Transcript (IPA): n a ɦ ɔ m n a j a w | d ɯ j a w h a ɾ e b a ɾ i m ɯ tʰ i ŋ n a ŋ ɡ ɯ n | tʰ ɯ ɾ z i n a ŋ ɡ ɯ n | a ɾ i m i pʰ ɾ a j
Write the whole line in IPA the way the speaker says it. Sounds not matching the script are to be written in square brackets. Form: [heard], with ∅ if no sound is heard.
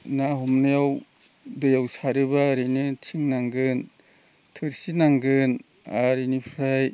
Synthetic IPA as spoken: n a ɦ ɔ m n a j a w | d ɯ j a w [s] a ɾ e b a ɾ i [n] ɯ tʰ i ŋ n a ŋ ɡ ɯ n | tʰ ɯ ɾ [s] i n a ŋ ɡ ɯ n | a ɾ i [n] i pʰ ɾ a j